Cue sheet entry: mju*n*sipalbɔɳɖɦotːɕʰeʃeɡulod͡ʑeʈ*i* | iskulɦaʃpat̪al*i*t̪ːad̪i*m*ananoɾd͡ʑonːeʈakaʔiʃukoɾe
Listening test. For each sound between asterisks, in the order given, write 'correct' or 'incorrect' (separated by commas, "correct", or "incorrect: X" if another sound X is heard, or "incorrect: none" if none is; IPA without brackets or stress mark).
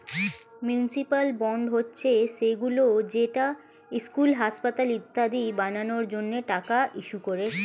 correct, incorrect: a, correct, incorrect: b